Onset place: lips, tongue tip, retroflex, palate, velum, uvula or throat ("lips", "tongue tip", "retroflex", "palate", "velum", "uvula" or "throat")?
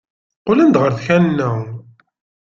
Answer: uvula